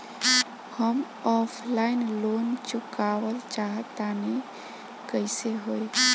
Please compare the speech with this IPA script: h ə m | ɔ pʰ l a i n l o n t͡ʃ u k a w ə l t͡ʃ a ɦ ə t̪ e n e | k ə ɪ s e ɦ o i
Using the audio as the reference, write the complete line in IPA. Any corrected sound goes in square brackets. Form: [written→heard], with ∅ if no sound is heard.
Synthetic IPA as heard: h ə m | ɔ pʰ l a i n l o n t͡ʃ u k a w ə l t͡ʃ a ɦ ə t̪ [e→a] n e | k ə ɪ s e ɦ o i